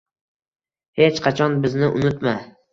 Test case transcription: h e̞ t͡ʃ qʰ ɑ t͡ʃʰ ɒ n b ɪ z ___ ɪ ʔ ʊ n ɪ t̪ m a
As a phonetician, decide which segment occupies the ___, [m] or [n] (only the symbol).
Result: n